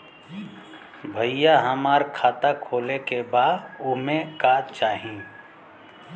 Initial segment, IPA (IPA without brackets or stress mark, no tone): bʱ